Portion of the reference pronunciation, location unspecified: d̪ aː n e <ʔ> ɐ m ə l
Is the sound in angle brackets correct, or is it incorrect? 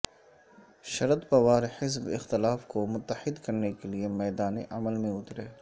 correct